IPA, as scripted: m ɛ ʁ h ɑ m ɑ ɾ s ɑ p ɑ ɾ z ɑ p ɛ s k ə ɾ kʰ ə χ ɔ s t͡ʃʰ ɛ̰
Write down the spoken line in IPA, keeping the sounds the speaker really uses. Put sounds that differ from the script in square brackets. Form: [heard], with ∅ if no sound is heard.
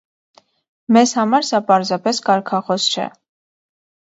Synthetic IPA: m ɛ [z] h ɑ m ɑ ɾ s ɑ p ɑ ɾ z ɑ p ɛ s k [ɑ] ɾ kʰ [ɑ] χ ɔ s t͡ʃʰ ɛ̰

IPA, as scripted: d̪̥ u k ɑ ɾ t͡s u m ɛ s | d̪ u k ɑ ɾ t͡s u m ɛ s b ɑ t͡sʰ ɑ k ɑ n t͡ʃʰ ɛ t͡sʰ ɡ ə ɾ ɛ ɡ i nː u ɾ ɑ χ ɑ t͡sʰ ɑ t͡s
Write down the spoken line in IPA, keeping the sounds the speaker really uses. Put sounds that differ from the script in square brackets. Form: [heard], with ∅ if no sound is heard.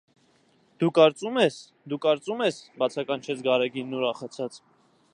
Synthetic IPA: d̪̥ u k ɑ ɾ t͡s u m ɛ s | d̪ u k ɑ ɾ t͡s u m ɛ s b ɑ t͡sʰ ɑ k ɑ n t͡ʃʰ ɛ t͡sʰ ɡ [ɑ] ɾ ɛ ɡ i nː u ɾ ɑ χ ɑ t͡sʰ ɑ t͡s

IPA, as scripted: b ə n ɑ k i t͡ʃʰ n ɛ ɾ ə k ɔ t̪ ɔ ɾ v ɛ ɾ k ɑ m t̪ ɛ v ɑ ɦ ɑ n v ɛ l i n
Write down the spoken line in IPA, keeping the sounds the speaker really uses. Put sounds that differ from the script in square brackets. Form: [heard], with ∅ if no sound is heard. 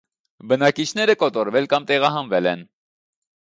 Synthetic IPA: b ə n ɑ k i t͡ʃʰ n ɛ ɾ ə k ɔ t̪ ɔ ɾ v ɛ [l] k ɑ m t̪ ɛ [ʁ] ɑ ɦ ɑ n v ɛ l [ɛ] n

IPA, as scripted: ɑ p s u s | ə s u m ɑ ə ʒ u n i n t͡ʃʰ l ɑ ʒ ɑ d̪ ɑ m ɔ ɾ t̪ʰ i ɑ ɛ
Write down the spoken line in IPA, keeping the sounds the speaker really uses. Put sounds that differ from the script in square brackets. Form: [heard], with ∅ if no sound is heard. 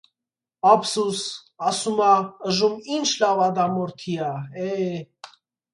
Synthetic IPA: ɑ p s u s | [ɑ] s u m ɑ ə ʒ u [m] i n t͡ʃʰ l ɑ [v] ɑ d̪ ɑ m ɔ ɾ t̪ʰ i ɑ ɛ

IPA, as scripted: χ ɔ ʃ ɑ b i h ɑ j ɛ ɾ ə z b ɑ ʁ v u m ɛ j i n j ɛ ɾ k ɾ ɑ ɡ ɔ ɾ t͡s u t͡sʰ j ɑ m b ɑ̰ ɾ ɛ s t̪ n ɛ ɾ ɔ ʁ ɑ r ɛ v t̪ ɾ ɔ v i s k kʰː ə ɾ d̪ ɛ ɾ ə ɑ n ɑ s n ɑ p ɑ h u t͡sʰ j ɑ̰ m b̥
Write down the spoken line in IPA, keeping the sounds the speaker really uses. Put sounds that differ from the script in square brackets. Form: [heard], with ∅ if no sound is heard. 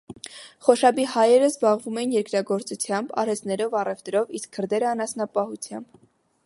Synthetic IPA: χ ɔ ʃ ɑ b i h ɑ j ɛ ɾ ə z b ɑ ʁ v u m ɛ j i n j ɛ ɾ k ɾ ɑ ɡ ɔ ɾ t͡s u t͡sʰ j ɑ m b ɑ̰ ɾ ɛ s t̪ n ɛ ɾ ɔ [v] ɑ r ɛ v t̪ ɾ ɔ v i s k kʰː ə ɾ d̪ ɛ ɾ ə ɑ n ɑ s n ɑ p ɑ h u t͡sʰ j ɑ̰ m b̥

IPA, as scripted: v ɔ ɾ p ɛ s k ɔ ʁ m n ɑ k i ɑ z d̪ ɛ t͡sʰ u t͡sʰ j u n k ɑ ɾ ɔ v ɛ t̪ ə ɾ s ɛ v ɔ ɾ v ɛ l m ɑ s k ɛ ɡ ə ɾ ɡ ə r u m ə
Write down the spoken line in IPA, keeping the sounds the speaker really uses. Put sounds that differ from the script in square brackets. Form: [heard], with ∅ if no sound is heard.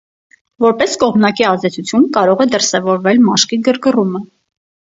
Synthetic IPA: v ɔ ɾ p ɛ s k ɔ ʁ m n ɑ k i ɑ z d̪ ɛ t͡sʰ u t͡sʰ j u n k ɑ ɾ ɔ [ʁ] ɛ [d̪] ə ɾ s ɛ v ɔ ɾ v ɛ l m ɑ [ʃ] k [i] ɡ ə ɾ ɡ ə r u m ə

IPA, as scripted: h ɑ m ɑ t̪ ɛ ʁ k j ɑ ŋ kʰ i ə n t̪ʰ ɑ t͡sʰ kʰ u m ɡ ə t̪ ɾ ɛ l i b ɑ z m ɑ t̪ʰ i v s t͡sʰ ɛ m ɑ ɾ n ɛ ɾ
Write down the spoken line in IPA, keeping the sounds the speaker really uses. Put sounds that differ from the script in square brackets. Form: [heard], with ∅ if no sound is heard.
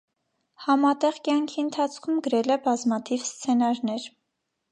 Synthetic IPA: h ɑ m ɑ t̪ ɛ ʁ k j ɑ ŋ kʰ i ə n t̪ʰ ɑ t͡sʰ kʰ u m ɡ ə [∅] ɾ ɛ l [ɛ] b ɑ z m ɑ t̪ʰ i v s t͡sʰ ɛ [n] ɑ ɾ n ɛ ɾ

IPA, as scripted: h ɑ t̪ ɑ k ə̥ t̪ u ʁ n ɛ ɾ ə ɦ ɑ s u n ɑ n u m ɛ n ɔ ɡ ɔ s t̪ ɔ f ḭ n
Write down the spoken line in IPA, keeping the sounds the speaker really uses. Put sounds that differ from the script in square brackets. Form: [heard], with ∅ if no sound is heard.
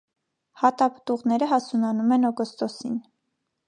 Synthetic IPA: h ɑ t̪ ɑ [p] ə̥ t̪ u ʁ n ɛ ɾ ə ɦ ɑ s u n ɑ n u m ɛ n ɔ ɡ ɔ s t̪ ɔ [s] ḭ n

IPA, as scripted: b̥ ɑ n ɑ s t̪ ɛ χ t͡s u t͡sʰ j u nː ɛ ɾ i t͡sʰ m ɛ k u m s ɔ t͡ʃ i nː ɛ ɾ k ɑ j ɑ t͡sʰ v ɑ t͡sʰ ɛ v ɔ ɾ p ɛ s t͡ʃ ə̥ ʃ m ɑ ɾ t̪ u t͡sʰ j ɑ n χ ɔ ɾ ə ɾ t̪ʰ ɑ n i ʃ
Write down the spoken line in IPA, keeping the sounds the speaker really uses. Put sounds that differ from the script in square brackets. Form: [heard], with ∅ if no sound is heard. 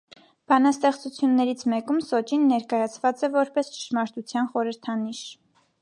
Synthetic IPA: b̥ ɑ n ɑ s t̪ ɛ χ t͡s u t͡sʰ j u nː ɛ ɾ i t͡sʰ m ɛ k u m s ɔ t͡ʃ i nː ɛ ɾ k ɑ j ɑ t͡sʰ v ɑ [t͡s] ɛ v ɔ ɾ p ɛ s t͡ʃ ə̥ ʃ m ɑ ɾ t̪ u t͡sʰ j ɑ n χ ɔ ɾ ə ɾ t̪ʰ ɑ n i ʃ

